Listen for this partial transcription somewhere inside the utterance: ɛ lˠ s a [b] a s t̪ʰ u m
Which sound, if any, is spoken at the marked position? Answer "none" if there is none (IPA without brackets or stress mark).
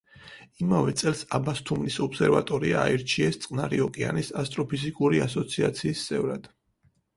b